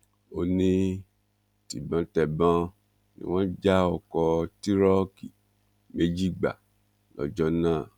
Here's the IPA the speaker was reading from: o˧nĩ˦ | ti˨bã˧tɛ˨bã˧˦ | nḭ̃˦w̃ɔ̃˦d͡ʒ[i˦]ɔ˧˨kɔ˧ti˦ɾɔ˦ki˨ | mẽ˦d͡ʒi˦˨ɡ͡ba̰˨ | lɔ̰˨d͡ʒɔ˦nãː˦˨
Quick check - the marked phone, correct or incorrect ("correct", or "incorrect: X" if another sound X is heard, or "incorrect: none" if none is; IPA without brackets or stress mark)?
incorrect: a˦